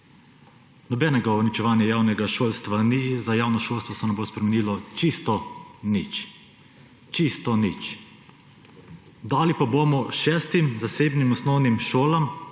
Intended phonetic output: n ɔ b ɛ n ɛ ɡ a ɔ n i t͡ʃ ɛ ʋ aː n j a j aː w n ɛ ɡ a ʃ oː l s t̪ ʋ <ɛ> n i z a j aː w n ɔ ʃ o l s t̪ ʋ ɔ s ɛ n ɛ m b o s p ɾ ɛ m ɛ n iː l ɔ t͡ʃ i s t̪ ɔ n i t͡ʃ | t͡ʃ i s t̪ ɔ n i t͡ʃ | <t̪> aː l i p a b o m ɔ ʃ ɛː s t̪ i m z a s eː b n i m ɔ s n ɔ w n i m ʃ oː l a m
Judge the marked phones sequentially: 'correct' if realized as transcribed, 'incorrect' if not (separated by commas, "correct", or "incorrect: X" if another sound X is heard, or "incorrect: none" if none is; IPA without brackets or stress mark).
incorrect: a, incorrect: d̪